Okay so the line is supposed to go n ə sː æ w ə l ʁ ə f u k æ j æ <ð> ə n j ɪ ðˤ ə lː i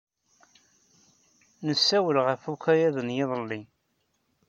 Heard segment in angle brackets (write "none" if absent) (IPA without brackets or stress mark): ð